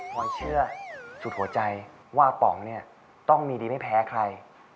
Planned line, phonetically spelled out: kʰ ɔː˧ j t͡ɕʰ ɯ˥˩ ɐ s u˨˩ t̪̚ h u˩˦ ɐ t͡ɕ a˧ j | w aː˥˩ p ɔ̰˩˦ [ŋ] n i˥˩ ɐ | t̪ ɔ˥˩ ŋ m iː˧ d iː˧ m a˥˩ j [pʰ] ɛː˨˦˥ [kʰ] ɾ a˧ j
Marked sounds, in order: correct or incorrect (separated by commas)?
correct, correct, correct